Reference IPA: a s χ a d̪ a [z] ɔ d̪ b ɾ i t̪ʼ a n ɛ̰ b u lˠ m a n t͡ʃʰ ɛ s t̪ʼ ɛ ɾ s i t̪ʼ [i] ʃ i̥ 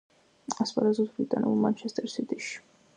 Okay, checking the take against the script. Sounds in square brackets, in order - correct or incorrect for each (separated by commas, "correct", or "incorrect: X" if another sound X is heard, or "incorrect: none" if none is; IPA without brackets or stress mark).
correct, correct